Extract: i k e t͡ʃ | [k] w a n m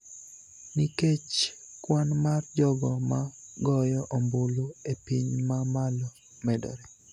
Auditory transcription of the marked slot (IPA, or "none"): k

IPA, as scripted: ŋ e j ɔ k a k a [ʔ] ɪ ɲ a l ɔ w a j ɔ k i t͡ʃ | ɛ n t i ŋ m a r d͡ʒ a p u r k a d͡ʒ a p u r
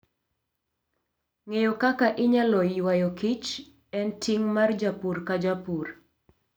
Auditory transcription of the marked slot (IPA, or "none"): ʔ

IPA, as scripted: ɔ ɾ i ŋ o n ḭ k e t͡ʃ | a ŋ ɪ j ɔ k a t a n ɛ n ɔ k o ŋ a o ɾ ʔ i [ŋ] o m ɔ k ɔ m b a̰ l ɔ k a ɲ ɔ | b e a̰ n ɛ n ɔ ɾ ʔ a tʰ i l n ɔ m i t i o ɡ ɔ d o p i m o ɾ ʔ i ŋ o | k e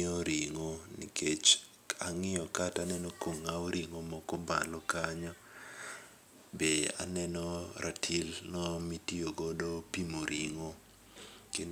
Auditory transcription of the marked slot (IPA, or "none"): ŋ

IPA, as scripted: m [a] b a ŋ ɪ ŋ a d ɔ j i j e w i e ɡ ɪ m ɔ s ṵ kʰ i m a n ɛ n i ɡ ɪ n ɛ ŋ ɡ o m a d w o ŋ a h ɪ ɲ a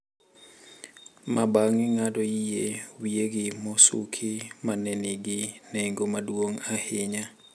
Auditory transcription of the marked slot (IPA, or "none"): a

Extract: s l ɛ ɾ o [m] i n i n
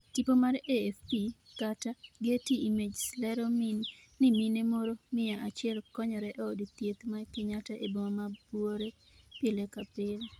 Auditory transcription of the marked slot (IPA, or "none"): m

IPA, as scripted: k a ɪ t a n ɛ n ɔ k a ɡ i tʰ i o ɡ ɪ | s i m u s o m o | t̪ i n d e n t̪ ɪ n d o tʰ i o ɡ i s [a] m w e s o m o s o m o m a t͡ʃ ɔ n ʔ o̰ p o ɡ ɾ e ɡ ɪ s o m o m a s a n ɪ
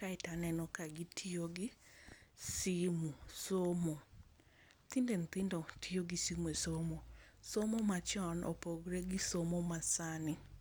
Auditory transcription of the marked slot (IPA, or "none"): i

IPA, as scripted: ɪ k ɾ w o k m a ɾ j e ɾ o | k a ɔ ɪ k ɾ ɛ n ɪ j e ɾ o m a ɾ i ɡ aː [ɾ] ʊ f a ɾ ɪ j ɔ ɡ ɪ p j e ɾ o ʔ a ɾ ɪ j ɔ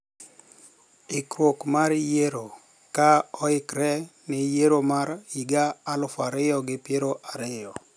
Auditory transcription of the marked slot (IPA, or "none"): l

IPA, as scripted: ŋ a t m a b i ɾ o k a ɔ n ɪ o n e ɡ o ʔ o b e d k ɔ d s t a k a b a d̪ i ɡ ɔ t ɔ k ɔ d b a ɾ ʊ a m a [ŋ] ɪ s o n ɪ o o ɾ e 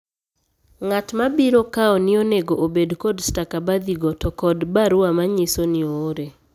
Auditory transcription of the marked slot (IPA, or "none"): ɲ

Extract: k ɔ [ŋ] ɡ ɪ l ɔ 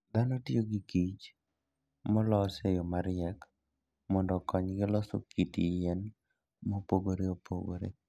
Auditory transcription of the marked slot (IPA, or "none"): ɲ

